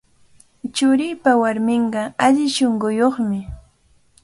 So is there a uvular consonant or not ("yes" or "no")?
yes